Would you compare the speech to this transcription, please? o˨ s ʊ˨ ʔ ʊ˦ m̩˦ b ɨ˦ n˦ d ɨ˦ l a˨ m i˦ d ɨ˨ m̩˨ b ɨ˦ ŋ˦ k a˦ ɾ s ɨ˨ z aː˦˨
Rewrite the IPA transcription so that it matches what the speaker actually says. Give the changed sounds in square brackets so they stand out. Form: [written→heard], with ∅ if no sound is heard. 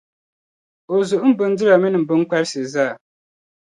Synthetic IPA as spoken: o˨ [s→z] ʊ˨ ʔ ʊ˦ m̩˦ b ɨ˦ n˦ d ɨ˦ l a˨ m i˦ [d→n] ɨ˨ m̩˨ b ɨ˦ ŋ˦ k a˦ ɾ s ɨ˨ z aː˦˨